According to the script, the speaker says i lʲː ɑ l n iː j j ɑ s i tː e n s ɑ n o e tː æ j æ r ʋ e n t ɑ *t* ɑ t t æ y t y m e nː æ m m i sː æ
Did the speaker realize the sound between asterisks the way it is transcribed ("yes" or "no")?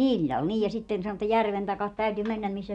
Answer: no